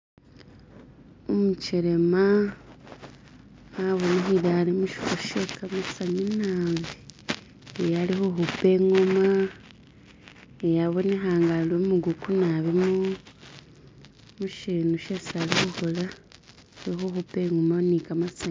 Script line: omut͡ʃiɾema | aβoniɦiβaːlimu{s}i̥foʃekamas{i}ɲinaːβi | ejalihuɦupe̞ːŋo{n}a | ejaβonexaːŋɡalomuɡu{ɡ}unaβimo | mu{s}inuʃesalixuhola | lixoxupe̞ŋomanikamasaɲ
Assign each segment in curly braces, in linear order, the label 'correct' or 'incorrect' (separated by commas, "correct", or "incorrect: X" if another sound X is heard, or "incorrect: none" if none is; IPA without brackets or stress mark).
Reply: incorrect: ʃ, incorrect: a, incorrect: m, incorrect: k, incorrect: ʃ